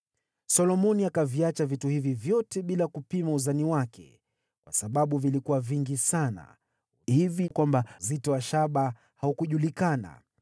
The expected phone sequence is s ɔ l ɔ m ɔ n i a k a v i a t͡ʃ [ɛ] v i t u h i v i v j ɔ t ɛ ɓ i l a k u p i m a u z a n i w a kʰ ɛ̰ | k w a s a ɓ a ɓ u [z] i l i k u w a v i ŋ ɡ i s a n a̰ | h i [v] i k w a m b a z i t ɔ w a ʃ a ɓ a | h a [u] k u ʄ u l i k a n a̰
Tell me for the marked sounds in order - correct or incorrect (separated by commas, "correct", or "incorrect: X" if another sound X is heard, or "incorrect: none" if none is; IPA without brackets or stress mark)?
incorrect: a, incorrect: v, correct, correct